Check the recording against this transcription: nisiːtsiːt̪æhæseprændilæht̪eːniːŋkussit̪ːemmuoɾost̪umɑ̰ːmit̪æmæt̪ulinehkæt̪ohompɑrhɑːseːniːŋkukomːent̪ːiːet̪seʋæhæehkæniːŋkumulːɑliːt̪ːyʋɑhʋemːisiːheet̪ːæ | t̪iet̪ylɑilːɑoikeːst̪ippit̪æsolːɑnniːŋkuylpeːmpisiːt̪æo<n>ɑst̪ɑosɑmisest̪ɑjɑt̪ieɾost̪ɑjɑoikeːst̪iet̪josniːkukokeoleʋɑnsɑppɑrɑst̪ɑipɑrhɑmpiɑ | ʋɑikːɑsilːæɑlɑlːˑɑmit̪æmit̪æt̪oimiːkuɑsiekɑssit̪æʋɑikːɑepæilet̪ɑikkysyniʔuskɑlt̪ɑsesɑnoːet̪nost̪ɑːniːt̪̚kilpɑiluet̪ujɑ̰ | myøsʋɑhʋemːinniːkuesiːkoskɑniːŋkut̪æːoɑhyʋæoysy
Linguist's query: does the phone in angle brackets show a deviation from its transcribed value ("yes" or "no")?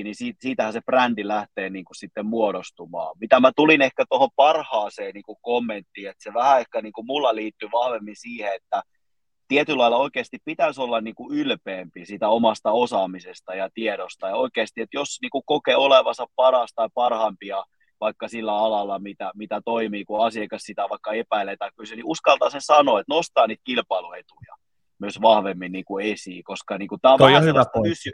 yes